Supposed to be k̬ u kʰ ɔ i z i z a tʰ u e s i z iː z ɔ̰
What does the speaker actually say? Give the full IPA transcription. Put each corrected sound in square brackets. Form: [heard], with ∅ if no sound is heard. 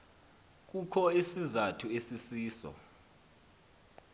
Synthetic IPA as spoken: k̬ u kʰ ɔ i [s] i z a tʰ u e s i [s] iː [s] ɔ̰